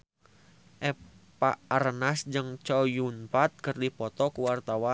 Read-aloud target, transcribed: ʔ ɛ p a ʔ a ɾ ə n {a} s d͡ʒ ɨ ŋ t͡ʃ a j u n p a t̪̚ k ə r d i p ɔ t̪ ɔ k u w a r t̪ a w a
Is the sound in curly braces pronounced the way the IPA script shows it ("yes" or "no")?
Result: yes